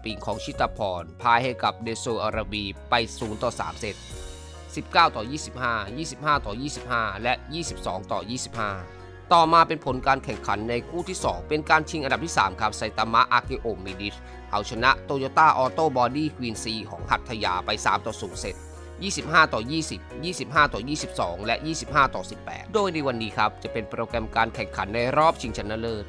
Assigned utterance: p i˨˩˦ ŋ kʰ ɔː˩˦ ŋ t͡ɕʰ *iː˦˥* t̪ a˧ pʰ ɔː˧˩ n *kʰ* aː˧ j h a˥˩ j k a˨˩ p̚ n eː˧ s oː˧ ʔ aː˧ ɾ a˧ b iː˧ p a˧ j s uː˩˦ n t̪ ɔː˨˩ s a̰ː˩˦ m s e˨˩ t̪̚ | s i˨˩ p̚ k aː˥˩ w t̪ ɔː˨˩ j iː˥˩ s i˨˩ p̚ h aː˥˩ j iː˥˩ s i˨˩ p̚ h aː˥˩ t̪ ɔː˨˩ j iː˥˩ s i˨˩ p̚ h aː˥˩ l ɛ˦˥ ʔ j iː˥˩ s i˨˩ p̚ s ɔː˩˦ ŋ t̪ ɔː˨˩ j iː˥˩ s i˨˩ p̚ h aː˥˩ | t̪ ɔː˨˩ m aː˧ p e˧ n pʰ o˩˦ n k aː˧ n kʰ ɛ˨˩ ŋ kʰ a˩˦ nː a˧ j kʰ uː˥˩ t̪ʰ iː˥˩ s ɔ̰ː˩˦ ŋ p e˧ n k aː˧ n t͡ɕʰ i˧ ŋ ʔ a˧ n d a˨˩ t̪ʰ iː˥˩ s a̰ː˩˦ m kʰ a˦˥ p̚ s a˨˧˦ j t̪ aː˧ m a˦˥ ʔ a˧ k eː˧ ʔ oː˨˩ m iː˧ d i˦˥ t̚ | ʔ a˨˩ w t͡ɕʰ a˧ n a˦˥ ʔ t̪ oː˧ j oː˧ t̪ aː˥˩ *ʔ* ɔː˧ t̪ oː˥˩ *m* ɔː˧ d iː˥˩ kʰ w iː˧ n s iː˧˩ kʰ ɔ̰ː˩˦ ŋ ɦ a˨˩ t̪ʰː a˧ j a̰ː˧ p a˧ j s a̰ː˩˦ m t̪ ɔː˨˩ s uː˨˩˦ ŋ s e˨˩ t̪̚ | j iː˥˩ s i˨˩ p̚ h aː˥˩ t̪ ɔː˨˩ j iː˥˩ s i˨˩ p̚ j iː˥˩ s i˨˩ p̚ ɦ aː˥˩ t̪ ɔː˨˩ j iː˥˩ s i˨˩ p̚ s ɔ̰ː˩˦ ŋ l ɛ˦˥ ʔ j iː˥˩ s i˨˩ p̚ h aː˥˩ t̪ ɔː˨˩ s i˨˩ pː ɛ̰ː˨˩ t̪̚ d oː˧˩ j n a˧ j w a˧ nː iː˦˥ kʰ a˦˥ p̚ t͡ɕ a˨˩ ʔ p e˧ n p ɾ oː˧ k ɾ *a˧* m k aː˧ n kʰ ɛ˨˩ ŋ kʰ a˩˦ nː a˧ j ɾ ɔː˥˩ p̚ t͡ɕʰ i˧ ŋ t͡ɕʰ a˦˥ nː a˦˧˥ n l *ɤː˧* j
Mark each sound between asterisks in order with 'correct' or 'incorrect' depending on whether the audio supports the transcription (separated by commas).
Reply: incorrect, incorrect, correct, incorrect, incorrect, incorrect